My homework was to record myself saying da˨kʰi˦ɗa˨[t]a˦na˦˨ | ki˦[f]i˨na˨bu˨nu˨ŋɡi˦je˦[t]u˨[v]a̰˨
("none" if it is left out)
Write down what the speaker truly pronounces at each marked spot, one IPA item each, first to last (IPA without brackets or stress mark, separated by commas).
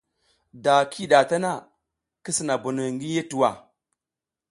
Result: t, s, t, w